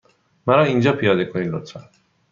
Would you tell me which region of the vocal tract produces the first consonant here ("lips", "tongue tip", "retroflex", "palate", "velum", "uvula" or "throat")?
lips